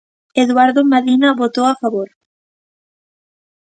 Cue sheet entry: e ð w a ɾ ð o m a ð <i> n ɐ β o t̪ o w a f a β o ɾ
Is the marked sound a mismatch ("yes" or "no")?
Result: no